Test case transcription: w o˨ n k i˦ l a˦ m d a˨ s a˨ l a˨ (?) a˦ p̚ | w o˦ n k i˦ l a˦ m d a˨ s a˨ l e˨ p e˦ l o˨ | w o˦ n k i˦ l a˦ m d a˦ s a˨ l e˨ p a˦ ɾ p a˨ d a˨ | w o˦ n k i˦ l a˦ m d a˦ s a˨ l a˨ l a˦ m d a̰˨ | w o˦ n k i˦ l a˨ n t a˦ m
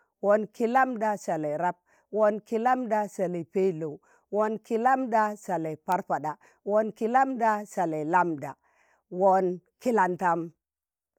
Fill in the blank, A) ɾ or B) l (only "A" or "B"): A